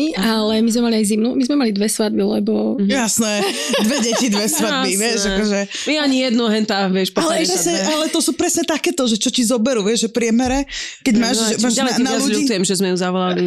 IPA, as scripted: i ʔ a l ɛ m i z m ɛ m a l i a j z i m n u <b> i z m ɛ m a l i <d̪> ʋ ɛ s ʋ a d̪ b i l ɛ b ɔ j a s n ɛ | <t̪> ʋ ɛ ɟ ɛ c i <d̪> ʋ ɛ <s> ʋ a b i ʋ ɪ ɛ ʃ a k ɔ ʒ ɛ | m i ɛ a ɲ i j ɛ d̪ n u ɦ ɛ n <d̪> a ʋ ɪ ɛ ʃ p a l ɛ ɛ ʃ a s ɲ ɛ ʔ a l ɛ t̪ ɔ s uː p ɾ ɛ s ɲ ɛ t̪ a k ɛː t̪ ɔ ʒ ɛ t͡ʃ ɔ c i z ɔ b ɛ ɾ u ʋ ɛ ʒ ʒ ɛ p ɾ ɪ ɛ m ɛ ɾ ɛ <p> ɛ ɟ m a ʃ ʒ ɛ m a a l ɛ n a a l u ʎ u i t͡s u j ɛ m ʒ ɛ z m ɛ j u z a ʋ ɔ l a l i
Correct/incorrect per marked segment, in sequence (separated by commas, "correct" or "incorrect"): incorrect, correct, incorrect, correct, correct, incorrect, incorrect